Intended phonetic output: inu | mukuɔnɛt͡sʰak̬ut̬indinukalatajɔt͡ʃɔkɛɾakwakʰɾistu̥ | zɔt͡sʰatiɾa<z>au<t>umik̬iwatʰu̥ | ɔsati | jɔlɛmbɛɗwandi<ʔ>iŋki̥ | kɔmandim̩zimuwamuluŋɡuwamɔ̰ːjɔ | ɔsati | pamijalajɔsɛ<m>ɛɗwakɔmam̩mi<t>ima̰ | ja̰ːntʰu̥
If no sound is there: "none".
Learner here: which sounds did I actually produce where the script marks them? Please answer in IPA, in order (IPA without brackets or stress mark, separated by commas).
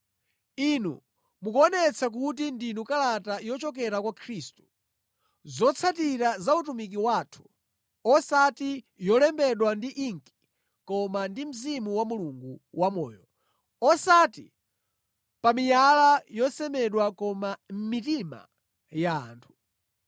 z, t, ʔ, m, t